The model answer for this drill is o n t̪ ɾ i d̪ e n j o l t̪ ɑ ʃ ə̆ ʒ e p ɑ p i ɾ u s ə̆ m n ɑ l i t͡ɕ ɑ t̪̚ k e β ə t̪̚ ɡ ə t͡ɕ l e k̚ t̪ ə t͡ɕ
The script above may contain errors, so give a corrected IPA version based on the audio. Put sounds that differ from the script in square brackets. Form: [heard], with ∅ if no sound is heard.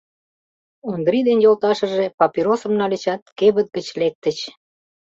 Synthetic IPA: o n [d̪] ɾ i d̪ e n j o l t̪ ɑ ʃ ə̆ ʒ e p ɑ p i ɾ [o] s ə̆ m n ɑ l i t͡ɕ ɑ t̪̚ k e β ə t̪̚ ɡ ə t͡ɕ l e k̚ t̪ ə t͡ɕ